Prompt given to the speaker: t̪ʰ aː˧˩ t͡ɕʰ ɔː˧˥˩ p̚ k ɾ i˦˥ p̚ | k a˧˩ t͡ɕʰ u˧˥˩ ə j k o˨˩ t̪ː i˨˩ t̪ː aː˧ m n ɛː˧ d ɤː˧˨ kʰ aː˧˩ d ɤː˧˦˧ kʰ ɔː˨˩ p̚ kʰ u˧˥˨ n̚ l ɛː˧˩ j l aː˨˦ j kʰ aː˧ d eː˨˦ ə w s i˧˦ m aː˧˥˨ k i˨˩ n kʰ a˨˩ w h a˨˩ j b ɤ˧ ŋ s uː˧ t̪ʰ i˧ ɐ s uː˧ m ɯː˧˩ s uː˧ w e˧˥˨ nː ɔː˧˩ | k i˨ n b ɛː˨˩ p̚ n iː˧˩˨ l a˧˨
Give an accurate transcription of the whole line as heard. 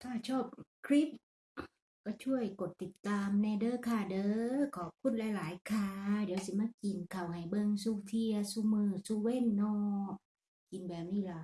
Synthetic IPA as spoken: t̪ʰ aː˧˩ t͡ɕʰ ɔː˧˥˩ p̚ kʰ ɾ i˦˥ p̚ | k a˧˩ t͡ɕʰ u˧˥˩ ə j k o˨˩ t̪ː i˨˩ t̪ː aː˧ m n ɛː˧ d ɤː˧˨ kʰ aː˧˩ d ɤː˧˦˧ kʰ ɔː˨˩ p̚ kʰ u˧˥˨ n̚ l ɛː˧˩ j l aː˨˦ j kʰ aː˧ d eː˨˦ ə w s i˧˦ m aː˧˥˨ k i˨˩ n kʰ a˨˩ w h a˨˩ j b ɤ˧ ŋ s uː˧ t̪ʰ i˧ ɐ s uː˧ m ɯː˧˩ s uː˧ w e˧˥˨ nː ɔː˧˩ | k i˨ n b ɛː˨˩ p̚ n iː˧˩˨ l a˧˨